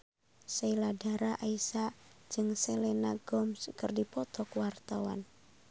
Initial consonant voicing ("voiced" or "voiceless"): voiceless